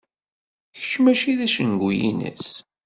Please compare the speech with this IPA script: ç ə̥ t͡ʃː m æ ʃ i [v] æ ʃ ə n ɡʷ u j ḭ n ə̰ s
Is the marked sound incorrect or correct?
incorrect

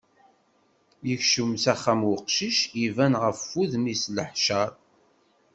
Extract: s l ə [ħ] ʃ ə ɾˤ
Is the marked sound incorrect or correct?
correct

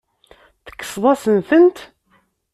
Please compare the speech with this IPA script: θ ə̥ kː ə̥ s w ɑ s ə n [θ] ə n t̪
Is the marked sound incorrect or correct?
correct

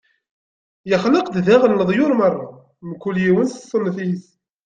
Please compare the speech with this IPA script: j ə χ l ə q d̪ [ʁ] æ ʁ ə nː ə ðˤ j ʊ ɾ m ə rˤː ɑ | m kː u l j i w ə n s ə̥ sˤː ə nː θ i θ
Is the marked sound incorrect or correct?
incorrect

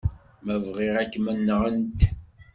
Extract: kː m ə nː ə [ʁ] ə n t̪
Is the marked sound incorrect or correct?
correct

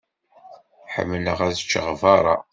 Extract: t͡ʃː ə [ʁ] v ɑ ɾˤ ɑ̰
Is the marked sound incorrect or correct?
correct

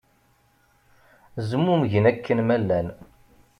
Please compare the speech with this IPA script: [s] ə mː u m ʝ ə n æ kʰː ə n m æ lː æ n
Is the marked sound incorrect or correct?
incorrect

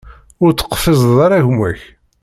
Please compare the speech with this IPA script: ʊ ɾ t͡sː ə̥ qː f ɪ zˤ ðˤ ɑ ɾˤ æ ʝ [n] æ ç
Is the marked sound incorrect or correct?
incorrect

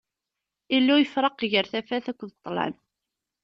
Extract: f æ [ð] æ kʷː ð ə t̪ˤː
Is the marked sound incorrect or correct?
incorrect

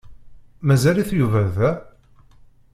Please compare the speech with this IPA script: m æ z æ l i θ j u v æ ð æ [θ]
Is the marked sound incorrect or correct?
incorrect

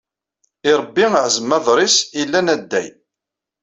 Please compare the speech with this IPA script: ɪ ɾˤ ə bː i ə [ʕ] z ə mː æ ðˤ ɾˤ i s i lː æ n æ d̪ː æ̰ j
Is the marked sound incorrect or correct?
correct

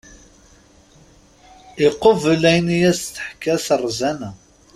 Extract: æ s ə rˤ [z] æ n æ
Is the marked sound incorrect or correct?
correct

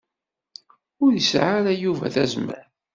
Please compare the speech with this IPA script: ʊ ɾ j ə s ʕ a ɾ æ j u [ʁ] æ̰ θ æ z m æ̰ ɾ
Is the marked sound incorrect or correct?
incorrect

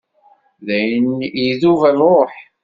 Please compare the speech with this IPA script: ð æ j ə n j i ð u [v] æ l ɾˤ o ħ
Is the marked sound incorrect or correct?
correct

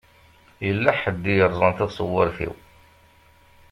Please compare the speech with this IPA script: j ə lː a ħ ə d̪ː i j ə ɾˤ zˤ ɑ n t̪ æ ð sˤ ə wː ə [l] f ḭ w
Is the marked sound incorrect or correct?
incorrect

